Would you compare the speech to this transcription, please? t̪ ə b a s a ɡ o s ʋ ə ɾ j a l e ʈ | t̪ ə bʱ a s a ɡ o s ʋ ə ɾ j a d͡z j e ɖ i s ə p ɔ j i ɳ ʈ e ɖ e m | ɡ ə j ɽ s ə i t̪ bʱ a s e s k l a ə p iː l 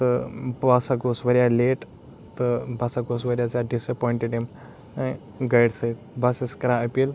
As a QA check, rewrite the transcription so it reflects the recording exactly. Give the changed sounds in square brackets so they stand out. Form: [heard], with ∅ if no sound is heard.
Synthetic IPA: t̪ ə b a s a ɡ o s ʋ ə ɾ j a l e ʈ | t̪ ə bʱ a s a ɡ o s ʋ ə ɾ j a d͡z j [a] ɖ i s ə p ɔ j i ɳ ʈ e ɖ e m | ɡ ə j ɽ s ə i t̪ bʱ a s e s k [ɾ] a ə p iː l